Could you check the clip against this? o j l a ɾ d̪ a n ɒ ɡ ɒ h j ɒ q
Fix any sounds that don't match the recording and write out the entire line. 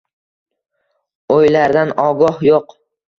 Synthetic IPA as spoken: o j l a ɾ d̪ a n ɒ ɡ ɒ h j o q